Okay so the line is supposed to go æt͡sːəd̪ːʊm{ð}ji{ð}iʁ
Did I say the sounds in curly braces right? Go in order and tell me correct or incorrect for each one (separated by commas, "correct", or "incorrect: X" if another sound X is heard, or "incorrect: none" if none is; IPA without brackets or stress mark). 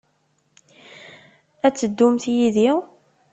incorrect: θ, correct